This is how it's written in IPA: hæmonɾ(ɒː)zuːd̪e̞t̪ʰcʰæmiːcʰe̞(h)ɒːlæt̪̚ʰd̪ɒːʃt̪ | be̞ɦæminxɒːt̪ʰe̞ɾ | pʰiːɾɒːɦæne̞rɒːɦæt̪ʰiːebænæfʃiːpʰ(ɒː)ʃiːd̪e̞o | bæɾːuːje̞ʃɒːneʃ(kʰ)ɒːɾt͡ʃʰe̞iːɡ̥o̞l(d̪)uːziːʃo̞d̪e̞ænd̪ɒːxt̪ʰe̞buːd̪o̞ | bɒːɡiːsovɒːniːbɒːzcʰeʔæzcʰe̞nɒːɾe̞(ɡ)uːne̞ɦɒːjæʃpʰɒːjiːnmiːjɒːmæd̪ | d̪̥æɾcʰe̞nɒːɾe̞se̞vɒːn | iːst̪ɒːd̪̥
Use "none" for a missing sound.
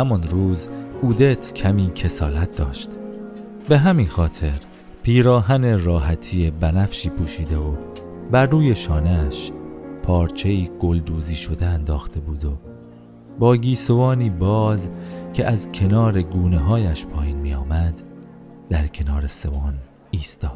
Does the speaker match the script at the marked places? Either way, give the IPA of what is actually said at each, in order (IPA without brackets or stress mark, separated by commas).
uː, s, uː, pʰ, d̪, ɡ